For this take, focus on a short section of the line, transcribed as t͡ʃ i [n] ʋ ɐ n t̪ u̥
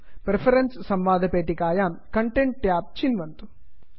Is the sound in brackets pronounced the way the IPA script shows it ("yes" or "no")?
yes